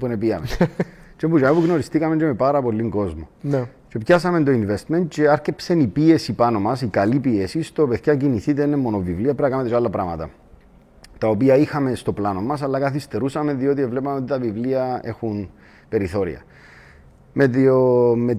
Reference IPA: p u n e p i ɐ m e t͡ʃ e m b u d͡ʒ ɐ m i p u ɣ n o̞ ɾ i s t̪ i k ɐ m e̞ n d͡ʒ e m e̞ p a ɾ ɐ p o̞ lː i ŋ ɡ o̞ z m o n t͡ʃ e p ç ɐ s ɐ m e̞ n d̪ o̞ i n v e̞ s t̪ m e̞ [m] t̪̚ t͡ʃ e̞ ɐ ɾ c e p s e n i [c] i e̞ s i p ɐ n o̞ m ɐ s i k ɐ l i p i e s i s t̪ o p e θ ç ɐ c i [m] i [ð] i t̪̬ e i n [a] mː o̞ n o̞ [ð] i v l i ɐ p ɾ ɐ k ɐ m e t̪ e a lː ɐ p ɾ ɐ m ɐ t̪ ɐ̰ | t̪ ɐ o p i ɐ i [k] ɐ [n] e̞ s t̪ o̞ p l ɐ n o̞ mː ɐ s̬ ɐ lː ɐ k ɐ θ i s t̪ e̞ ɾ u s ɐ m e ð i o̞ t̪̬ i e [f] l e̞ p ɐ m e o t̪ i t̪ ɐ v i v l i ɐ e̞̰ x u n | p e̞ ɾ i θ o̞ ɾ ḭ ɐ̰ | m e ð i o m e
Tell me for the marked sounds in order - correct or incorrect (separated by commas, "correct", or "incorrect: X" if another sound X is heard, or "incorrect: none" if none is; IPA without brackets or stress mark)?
incorrect: n, incorrect: p, incorrect: n, incorrect: θ, incorrect: e, incorrect: v, incorrect: x, incorrect: m, incorrect: v